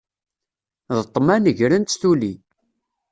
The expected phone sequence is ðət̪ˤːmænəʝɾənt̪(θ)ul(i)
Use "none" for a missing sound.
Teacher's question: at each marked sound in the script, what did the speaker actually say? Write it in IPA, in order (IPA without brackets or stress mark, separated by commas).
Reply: θ, i